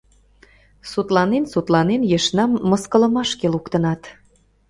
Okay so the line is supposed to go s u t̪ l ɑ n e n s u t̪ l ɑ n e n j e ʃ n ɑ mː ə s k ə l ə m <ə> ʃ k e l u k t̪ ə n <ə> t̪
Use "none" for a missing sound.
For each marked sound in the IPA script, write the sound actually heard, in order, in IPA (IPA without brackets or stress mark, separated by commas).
ɑ, ɑ